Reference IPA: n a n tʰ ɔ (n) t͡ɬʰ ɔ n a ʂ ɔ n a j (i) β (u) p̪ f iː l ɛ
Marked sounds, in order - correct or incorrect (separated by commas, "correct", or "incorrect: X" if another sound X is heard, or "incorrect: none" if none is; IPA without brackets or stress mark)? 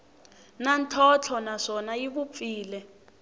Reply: incorrect: none, correct, correct